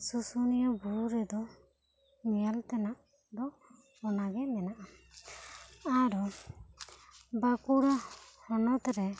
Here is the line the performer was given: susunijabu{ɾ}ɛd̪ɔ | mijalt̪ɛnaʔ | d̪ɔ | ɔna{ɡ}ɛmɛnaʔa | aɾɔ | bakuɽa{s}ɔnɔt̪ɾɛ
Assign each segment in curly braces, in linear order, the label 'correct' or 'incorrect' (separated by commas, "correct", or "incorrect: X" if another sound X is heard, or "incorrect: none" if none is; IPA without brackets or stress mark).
correct, correct, incorrect: h